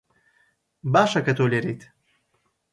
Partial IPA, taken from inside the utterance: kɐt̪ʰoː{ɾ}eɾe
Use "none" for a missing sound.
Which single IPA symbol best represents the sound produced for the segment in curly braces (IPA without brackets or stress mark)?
l